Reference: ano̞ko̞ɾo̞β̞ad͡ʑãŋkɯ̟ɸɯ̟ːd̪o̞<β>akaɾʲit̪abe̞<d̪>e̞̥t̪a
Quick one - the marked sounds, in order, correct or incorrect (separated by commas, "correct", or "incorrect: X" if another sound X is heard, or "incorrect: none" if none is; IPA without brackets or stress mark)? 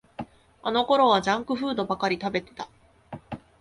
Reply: incorrect: b, incorrect: t̪